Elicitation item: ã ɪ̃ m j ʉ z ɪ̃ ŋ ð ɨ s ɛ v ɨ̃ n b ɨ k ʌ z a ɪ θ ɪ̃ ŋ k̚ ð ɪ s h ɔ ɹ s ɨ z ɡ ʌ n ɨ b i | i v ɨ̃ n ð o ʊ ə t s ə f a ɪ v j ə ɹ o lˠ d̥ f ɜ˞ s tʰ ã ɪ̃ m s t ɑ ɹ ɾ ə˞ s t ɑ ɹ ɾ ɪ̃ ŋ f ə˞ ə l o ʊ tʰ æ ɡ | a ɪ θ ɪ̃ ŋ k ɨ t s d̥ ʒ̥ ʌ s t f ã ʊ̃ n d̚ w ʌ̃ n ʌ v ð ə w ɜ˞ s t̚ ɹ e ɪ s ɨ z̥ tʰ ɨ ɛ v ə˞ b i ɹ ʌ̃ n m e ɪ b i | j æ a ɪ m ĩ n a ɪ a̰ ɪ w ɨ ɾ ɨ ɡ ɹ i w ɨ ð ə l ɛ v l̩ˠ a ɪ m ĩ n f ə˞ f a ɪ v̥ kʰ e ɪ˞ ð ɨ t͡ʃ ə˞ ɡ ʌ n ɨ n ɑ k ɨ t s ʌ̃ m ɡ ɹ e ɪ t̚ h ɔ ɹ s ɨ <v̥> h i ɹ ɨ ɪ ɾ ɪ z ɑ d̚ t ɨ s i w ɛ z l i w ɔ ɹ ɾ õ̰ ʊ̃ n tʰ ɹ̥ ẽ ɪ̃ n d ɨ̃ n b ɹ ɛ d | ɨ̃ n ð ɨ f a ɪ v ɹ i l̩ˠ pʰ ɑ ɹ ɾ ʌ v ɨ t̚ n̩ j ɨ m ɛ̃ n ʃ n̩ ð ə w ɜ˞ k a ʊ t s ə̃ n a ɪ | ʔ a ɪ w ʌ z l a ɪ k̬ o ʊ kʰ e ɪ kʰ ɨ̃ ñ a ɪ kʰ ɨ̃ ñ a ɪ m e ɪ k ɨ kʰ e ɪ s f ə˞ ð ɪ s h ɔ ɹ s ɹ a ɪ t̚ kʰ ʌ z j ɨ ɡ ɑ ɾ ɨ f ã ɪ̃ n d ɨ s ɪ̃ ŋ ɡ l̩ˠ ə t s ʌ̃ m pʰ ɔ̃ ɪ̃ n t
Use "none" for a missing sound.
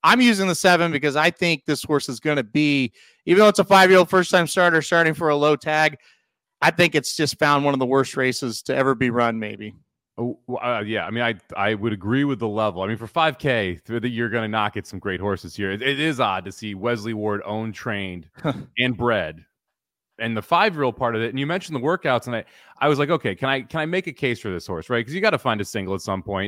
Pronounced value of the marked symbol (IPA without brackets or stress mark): z̥